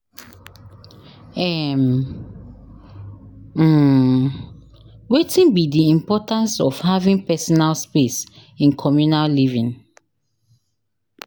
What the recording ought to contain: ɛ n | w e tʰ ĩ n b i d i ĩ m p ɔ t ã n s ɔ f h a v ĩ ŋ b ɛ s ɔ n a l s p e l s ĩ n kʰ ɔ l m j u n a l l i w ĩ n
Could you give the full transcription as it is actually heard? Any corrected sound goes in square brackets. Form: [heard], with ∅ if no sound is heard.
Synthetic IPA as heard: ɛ [m] | w e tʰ ĩ n b i d i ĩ m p ɔ t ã n s ɔ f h a v ĩ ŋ [p] ɛ s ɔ n a l s p e [∅] s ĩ n kʰ ɔ [∅] m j u n a l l i [v] ĩ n